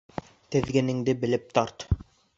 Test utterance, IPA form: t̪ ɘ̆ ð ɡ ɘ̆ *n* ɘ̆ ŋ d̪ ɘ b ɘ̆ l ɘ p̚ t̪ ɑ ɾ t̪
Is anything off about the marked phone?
no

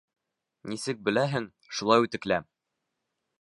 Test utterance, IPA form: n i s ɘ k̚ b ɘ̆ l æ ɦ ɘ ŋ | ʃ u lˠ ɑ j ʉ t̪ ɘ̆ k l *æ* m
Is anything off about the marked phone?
no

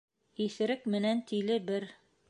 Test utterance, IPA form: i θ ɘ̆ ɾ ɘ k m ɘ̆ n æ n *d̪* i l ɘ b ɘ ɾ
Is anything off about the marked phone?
yes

